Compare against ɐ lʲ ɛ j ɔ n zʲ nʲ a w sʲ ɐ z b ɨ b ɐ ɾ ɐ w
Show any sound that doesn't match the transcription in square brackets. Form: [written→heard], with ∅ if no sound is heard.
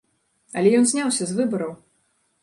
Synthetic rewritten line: ɐ lʲ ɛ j ɔ n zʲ nʲ a w sʲ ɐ z [b→v] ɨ b ɐ ɾ ɐ w